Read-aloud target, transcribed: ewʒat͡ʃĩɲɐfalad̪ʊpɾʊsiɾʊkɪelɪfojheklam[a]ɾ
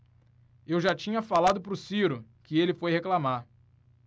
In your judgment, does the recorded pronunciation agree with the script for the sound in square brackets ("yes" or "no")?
yes